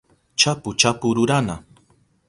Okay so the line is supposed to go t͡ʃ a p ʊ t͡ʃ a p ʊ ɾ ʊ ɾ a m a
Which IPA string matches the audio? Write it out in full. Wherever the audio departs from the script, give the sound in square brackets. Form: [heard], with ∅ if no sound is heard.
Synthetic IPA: t͡ʃ a p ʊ t͡ʃ a p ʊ ɾ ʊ ɾ a [n] a